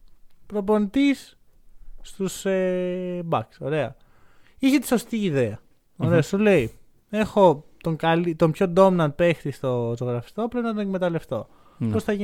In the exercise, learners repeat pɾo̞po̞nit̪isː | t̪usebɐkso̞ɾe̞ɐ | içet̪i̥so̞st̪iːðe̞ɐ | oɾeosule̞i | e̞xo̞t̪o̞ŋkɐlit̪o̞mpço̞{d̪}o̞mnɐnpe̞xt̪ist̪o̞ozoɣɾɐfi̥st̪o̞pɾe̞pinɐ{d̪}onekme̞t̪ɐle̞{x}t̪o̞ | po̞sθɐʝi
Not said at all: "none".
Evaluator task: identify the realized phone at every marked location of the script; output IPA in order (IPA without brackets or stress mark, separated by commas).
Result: d̪, t̪, f